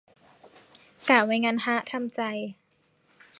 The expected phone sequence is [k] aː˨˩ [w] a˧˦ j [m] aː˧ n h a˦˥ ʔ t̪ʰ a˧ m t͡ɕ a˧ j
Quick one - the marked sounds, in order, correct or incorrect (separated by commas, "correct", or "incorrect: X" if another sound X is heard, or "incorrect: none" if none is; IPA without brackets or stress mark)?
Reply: correct, correct, incorrect: ŋ